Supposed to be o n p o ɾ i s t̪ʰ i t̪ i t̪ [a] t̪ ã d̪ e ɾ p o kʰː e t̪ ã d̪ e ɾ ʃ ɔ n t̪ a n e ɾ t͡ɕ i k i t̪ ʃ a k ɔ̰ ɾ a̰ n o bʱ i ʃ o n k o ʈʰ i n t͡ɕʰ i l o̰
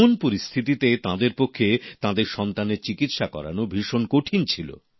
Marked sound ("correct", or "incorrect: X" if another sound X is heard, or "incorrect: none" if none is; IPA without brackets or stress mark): incorrect: e